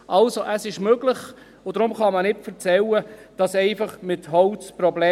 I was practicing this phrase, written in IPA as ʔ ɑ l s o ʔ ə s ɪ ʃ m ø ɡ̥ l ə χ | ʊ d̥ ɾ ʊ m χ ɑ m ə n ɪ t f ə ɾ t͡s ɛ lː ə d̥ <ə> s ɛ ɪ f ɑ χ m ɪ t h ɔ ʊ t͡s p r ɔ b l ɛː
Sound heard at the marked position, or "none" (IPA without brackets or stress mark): ɑ